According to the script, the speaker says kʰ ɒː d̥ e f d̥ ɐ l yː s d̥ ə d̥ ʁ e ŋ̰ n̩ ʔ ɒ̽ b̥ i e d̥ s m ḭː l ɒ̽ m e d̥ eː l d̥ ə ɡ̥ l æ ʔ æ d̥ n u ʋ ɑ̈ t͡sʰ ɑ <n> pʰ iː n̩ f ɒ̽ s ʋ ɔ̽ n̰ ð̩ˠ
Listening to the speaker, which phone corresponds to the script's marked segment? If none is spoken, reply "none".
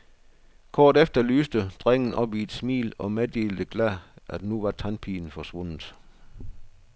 n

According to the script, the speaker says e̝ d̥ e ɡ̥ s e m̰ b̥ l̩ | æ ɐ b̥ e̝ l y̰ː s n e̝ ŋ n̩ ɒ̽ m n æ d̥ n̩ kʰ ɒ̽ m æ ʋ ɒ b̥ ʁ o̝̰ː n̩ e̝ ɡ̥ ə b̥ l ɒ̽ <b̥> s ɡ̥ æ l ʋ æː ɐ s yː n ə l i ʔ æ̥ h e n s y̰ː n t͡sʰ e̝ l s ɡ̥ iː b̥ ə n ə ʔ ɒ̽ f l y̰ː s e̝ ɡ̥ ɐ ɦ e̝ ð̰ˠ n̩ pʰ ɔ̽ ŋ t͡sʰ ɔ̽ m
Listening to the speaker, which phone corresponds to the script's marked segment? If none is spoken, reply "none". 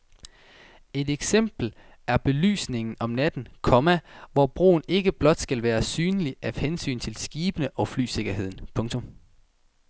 d̥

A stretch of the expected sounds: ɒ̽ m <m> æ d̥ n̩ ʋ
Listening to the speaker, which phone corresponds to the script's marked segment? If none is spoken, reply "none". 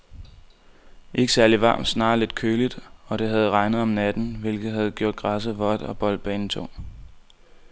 n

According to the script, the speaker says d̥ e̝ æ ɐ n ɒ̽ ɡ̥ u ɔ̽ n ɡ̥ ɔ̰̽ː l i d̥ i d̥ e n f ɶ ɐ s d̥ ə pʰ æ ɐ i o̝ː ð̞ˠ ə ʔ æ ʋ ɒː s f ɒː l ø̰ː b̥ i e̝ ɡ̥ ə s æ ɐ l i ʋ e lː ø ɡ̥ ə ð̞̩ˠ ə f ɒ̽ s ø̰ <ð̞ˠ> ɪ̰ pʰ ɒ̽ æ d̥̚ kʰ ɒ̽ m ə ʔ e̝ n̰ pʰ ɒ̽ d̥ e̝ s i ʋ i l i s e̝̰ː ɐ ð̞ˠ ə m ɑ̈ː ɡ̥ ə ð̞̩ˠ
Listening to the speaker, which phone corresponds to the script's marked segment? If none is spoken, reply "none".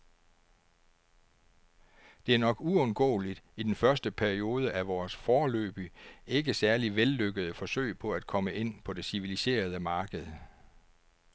none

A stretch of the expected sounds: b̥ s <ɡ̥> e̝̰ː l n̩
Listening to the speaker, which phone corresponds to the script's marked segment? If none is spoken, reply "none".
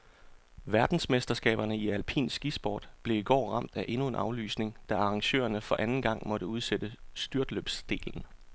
d̥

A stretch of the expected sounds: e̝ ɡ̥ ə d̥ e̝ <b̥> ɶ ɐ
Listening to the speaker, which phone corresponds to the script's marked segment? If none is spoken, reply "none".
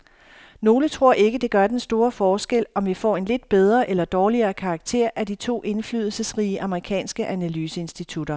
ɡ̥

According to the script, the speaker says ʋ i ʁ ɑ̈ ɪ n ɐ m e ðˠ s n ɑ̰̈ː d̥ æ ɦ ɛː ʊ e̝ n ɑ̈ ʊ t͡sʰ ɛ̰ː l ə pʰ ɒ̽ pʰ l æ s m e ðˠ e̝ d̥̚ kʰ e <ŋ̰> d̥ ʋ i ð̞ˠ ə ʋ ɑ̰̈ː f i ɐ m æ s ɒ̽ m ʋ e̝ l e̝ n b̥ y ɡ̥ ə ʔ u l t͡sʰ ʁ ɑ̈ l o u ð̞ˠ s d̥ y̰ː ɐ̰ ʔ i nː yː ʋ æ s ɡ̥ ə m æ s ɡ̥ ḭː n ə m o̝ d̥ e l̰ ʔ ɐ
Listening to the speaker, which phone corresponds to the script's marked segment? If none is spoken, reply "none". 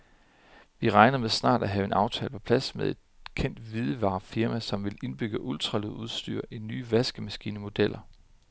n̰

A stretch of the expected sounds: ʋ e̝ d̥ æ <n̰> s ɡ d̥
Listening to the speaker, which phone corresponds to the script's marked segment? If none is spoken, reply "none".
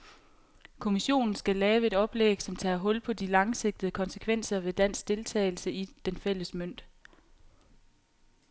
n̰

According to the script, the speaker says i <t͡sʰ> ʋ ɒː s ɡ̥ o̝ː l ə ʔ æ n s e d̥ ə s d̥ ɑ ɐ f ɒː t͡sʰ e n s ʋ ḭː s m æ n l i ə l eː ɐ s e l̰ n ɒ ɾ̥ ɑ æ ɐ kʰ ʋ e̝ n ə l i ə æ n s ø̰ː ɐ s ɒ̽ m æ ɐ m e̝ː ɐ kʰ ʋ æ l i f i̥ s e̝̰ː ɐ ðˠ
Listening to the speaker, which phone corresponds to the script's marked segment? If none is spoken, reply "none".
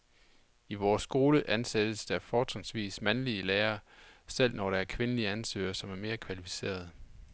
none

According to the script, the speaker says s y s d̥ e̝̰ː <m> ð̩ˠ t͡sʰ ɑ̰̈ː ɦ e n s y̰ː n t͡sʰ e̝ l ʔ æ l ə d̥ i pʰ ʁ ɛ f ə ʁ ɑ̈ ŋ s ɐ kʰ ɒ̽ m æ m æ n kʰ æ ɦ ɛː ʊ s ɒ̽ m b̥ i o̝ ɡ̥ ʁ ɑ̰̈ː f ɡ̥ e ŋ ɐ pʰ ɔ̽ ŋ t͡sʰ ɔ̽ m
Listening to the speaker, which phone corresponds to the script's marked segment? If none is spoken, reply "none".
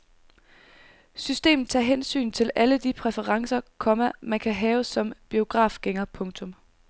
m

